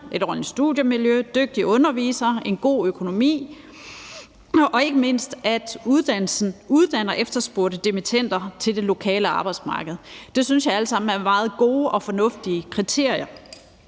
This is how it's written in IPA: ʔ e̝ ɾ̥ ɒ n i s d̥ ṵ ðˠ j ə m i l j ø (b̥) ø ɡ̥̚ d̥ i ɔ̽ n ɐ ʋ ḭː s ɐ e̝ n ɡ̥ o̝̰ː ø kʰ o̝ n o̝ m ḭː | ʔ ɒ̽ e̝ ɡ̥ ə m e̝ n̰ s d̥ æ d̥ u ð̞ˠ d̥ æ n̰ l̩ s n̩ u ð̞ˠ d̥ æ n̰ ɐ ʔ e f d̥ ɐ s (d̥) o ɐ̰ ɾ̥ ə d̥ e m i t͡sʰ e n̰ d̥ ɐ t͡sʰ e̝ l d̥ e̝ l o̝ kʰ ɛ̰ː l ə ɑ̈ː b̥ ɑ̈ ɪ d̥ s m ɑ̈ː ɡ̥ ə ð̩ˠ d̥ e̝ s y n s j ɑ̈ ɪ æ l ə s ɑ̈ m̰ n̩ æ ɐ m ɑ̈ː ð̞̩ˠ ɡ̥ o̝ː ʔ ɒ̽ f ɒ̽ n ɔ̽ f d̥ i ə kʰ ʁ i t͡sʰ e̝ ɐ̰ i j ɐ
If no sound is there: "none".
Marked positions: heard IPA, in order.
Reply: d̥, b̥

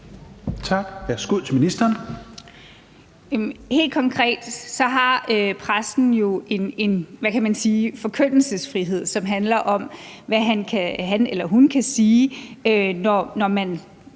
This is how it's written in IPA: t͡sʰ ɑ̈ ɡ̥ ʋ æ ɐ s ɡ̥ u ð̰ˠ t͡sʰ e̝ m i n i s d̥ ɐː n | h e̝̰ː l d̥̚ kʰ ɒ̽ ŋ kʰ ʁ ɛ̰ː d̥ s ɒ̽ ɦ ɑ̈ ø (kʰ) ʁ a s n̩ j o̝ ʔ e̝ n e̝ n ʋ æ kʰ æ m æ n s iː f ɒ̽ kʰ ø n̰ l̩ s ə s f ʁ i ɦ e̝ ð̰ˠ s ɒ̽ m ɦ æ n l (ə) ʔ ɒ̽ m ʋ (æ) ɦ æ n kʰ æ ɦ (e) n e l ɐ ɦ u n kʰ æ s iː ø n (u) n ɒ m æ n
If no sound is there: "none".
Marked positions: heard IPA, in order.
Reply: pʰ, ɐ, æ, æ, ɒ

